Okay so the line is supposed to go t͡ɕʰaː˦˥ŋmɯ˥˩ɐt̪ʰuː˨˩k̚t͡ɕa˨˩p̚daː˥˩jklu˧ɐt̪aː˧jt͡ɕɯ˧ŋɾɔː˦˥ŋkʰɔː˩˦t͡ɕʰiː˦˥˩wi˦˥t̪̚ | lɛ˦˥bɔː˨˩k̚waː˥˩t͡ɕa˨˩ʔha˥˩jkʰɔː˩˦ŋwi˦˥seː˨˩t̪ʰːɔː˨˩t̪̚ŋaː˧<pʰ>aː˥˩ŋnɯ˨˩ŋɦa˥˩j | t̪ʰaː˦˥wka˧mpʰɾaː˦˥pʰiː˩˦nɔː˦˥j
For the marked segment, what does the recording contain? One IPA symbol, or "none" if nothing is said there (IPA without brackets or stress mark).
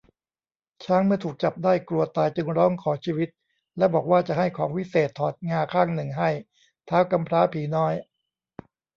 kʰ